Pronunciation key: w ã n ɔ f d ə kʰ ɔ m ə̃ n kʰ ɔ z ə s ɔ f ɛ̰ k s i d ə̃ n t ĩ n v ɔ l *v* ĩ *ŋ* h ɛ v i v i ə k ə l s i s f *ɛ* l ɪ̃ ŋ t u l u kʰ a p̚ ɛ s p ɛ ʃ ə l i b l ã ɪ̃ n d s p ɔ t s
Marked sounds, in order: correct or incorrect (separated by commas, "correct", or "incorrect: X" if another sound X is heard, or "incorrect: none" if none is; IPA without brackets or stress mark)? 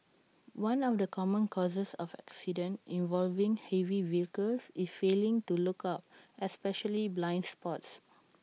correct, correct, incorrect: e